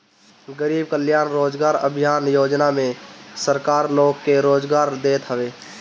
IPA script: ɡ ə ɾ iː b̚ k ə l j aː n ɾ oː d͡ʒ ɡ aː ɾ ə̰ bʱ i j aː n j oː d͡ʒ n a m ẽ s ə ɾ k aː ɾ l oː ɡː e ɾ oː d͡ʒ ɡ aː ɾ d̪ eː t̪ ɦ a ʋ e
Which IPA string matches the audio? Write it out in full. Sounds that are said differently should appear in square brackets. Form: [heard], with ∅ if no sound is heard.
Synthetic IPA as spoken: ɡ ə ɾ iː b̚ k ə l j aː n ɾ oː d͡ʒ ɡ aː ɾ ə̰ bʱ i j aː n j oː d͡ʒ n a m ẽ s ə ɾ k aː ɾ l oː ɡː e ɾ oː d͡ʒ ɡ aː ɾ d̪ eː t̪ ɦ [ə] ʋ e